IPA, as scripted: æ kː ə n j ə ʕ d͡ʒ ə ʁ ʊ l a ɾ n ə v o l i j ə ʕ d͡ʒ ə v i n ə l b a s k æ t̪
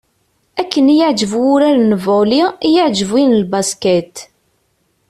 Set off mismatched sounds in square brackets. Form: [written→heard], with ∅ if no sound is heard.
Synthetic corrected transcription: æ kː ə n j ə ʕ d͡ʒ ə [ʁ→v] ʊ [l→ɾ] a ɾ n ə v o l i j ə ʕ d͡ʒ ə v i n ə l b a s k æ t̪